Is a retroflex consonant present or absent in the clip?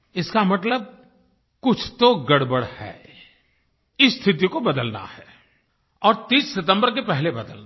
present